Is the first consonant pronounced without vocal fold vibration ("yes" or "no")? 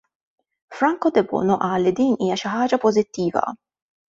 yes